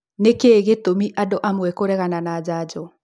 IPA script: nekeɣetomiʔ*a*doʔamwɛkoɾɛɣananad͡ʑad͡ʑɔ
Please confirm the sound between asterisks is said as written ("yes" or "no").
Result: yes